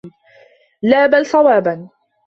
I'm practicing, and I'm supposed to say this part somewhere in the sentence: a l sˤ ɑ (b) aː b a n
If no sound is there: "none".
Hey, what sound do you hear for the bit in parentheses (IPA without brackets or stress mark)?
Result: w